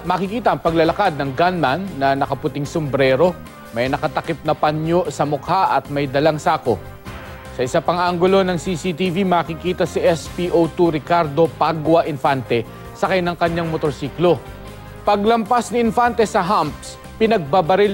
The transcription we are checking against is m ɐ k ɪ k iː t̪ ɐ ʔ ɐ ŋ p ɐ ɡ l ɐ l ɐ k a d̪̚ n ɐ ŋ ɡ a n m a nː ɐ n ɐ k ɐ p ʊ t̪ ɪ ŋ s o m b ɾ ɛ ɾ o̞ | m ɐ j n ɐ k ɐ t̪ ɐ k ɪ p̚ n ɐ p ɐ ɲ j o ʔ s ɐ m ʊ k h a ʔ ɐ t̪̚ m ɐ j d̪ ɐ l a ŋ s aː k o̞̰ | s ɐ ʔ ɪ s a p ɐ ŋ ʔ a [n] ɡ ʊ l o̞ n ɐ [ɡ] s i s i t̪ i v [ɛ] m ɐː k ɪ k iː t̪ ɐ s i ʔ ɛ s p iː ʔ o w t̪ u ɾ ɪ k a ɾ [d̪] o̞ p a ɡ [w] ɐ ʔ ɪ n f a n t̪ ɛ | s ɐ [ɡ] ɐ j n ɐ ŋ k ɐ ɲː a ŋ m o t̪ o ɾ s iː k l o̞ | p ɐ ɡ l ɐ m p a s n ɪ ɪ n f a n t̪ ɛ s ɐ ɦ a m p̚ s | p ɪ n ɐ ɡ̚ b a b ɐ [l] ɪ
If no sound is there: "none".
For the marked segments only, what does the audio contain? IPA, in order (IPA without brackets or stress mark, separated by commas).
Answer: ŋ, ŋ, i, d̪, w, k, ɾ